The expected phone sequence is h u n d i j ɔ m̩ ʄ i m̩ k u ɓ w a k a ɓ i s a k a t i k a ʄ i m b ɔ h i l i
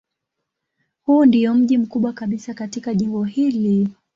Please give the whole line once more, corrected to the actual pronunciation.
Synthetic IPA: h u n d i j ɔ m̩ ʄ i m̩ k u ɓ w a k a ɓ i s a k a t i k a ʄ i m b ɔ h i l i